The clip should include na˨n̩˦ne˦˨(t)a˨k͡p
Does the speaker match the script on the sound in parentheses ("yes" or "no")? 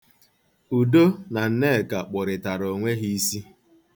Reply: no